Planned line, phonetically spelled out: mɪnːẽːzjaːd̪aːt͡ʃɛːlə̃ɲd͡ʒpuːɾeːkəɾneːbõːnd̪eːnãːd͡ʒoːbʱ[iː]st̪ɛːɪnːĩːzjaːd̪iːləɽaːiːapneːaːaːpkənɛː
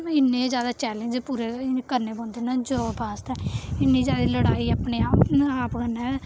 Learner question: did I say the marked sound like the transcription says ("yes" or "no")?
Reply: no